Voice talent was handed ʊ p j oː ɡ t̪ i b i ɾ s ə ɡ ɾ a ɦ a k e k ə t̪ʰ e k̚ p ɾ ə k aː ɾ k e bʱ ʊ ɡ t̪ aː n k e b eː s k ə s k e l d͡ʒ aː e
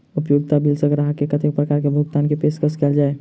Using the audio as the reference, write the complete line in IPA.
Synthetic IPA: ʊ p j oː ɡ t̪ a b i l s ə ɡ ɾ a ɦ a k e k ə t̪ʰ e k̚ p ɾ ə k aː ɾ k e bʱ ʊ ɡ t̪ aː n k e p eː s k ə s k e l d͡ʒ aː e